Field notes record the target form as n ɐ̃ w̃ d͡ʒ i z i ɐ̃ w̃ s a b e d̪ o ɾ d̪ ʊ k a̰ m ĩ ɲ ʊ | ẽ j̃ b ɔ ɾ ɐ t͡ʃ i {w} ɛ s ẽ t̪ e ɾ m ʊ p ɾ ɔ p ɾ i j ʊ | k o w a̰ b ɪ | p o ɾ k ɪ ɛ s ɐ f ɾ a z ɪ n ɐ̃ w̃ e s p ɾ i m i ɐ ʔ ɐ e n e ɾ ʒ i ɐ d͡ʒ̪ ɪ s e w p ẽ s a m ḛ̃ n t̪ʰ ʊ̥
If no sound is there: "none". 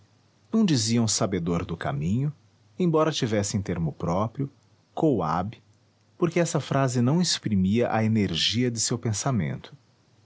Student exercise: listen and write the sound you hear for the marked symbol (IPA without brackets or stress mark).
v